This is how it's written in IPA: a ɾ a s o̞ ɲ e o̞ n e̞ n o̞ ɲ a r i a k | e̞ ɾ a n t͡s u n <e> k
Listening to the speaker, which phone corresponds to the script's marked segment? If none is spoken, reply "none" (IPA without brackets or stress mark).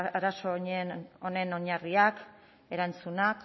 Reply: a